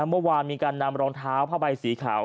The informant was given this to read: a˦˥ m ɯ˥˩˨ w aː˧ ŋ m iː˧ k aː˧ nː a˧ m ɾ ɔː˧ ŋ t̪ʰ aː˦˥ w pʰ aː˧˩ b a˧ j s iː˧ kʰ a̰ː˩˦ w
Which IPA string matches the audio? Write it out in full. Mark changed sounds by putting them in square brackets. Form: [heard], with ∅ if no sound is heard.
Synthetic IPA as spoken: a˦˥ m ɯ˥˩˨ w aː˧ [n] m iː˧ k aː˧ nː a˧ m ɾ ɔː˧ ŋ t̪ʰ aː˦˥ w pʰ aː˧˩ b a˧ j s [iː˩˦] kʰ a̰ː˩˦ w